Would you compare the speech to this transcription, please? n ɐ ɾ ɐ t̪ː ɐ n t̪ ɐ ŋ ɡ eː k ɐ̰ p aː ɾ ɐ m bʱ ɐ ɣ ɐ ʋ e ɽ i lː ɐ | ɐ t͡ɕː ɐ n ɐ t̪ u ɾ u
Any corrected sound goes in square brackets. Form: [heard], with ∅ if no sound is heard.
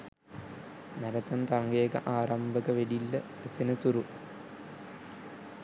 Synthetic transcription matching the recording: n ɐ ɾ ɐ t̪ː ɐ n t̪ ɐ ŋ ɡ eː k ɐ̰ [ʔ] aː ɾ ɐ m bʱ ɐ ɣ ɐ ʋ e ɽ i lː ɐ | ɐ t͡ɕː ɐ n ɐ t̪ u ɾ u